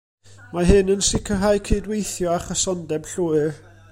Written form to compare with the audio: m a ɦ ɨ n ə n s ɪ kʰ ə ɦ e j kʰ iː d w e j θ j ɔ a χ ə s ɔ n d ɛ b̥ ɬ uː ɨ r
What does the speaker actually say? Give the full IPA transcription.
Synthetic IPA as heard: m a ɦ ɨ n ə n s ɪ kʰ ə ɦ a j kʰ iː d w e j θ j ɔ a χ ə s ɔ n d ɛ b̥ ɬ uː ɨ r